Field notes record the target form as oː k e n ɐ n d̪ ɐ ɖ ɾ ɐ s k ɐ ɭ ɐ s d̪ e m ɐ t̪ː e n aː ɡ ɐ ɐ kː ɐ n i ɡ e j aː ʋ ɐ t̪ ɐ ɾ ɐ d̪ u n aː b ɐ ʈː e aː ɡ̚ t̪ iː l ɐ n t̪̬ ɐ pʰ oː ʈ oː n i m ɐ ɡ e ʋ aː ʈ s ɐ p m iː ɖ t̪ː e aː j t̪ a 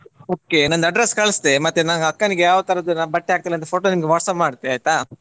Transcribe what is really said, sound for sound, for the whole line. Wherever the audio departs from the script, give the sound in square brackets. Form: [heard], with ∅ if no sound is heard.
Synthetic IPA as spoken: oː k e n ɐ n d̪ ɐ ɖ ɾ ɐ s k ɐ ɭ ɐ s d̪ e m ɐ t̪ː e n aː ɡ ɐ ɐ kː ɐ n i ɡ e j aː ʋ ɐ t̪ ɐ ɾ ɐ d̪ u n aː b ɐ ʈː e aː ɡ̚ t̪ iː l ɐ n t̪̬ ɐ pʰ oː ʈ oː n i m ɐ ɡ e ʋ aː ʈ s ɐ p m [aː] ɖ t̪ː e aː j t̪ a